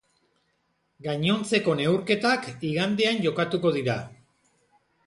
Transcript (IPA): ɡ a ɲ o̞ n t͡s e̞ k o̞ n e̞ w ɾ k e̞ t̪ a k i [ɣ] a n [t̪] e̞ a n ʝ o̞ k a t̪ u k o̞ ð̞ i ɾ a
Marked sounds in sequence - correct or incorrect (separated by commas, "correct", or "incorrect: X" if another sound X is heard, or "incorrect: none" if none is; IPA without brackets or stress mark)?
correct, incorrect: d̪